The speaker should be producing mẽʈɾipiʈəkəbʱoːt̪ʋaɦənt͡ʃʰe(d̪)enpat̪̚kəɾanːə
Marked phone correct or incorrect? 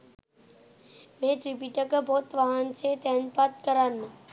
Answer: incorrect